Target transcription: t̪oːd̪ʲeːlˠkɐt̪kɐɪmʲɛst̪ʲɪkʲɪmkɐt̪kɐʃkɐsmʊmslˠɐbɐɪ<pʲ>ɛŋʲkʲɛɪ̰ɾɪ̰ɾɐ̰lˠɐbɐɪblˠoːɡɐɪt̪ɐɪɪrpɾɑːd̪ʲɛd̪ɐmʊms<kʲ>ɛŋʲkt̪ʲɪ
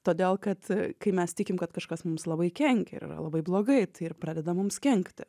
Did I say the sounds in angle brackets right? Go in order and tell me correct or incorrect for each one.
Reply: incorrect: kʲ, correct

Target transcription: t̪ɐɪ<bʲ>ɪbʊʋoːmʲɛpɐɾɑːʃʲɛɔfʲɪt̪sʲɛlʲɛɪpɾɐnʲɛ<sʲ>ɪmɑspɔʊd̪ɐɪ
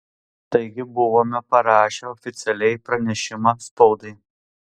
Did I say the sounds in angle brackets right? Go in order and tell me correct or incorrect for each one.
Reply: incorrect: ɡʲ, incorrect: ʃʲ

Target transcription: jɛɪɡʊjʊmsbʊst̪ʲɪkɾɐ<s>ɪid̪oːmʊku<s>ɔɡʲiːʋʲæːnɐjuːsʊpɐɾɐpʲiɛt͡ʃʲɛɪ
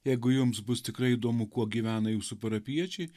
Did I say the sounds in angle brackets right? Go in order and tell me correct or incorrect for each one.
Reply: incorrect: none, incorrect: none

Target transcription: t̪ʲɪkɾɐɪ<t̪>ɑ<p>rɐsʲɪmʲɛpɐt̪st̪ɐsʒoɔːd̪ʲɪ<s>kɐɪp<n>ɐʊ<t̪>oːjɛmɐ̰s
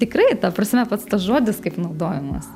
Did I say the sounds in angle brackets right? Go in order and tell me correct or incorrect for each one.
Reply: correct, correct, correct, correct, incorrect: d̪

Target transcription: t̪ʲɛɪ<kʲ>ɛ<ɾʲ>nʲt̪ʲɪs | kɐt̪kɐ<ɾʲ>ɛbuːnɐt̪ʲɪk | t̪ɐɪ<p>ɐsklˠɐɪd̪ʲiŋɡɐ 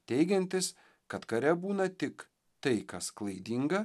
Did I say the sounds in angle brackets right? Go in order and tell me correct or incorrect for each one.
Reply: incorrect: ɡʲ, incorrect: none, correct, incorrect: k

